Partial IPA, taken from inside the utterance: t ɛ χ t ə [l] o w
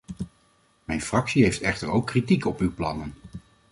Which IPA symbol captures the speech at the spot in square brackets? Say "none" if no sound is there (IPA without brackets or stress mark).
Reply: ɹ